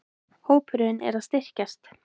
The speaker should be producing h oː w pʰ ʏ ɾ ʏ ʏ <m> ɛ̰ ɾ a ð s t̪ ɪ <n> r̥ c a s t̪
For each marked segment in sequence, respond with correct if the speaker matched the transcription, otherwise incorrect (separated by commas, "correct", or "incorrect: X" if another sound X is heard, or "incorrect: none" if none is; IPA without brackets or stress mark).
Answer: incorrect: n, incorrect: none